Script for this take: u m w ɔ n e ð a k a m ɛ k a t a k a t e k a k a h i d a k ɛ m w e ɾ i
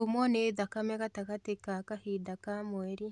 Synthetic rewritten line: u m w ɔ n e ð a k a m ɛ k a t a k a t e k a k a h i d a k a m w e ɾ i